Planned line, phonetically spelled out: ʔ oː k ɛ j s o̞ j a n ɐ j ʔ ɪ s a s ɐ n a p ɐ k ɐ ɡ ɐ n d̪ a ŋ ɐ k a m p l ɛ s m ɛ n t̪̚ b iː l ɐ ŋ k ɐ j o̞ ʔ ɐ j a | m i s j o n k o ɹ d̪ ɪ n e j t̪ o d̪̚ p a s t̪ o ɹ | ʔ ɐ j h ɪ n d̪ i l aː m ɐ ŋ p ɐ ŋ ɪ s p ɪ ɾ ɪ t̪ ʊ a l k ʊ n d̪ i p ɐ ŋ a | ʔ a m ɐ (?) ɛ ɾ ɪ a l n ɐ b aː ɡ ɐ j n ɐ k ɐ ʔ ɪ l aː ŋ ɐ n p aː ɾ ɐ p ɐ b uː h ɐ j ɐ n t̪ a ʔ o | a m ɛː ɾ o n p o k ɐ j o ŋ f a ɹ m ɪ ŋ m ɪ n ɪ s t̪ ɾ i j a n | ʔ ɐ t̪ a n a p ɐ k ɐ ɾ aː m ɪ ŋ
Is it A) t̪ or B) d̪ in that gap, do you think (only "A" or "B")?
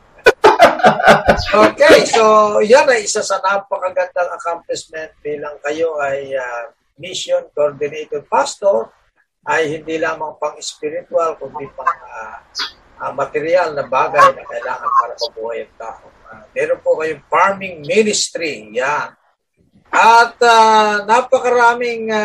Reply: A